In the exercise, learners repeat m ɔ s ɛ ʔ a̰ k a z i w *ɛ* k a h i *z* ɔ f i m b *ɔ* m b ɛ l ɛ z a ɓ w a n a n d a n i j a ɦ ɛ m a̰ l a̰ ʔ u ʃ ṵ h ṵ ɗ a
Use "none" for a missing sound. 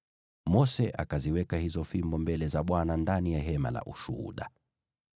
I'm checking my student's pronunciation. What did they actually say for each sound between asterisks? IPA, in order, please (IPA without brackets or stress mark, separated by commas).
ɛ, z, ɔ